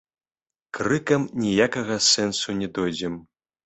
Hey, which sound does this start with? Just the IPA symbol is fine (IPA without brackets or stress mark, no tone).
k